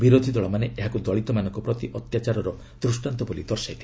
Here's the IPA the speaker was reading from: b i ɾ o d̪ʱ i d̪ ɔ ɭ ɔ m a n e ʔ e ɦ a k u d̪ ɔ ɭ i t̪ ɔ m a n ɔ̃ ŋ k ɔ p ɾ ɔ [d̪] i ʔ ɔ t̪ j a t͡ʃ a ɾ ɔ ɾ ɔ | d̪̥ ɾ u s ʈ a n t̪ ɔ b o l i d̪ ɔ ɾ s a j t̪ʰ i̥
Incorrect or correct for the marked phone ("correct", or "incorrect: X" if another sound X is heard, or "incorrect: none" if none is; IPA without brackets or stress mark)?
incorrect: t̪